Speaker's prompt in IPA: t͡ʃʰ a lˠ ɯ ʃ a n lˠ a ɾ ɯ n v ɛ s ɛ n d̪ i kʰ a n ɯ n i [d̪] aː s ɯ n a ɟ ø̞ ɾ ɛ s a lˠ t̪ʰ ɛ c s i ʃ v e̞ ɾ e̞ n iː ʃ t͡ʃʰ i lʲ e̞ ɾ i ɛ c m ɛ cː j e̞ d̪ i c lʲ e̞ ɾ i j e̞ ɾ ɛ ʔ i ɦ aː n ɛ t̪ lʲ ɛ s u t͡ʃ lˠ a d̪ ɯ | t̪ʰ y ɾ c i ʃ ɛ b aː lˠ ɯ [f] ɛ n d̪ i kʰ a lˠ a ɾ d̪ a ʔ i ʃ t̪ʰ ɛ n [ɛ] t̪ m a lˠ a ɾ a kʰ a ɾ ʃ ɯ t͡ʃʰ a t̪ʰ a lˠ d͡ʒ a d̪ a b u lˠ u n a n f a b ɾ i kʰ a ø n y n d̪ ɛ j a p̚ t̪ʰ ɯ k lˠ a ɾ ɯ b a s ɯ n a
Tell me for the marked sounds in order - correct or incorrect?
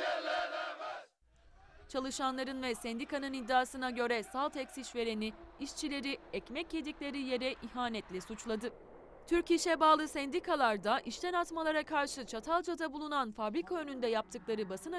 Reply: incorrect, incorrect, incorrect

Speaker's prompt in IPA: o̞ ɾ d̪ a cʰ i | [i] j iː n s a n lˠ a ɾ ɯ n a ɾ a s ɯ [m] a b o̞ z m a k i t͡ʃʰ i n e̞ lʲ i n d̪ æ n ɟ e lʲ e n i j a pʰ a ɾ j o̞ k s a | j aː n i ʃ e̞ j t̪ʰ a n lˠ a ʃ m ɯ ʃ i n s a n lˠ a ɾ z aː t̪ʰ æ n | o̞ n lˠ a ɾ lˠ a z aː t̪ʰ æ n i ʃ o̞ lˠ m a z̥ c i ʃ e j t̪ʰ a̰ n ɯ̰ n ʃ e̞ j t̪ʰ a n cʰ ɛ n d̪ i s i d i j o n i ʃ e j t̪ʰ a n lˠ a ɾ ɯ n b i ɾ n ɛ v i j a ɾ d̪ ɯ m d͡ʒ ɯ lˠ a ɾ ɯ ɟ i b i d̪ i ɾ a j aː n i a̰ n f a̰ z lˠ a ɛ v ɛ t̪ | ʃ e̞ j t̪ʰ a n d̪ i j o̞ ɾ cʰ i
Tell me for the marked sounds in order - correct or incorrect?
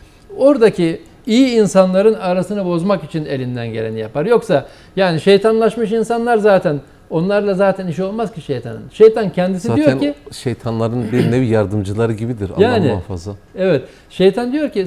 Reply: correct, incorrect

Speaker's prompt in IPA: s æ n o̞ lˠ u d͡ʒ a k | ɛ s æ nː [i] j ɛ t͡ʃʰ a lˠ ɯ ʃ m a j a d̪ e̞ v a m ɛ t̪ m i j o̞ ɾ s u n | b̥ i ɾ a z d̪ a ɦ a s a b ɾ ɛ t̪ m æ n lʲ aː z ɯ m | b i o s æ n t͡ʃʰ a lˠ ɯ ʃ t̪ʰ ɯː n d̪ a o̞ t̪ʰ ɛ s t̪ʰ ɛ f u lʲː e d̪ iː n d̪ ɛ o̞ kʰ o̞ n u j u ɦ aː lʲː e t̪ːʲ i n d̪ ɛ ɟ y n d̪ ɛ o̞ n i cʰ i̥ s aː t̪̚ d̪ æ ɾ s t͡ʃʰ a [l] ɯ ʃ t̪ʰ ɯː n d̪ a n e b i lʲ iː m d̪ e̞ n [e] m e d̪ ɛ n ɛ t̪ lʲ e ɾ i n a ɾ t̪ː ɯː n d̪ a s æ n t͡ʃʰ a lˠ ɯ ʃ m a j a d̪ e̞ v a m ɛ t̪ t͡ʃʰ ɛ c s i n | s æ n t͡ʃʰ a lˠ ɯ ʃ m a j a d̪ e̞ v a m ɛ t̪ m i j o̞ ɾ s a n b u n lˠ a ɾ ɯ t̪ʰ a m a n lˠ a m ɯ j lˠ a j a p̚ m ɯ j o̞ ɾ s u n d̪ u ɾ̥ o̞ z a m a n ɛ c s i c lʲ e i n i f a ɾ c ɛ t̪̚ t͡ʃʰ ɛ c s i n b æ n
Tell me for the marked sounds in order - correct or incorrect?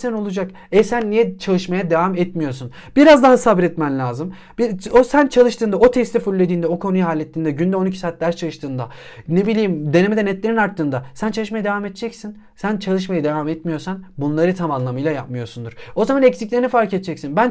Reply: correct, correct, correct

